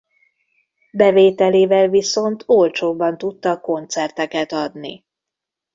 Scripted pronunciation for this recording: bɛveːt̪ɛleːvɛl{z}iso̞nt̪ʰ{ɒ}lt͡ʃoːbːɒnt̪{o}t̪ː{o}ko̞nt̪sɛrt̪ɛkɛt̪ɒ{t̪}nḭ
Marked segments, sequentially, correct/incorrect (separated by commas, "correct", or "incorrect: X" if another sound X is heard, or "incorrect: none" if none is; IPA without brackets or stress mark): incorrect: v, incorrect: o, incorrect: u, incorrect: ɒ, incorrect: d̪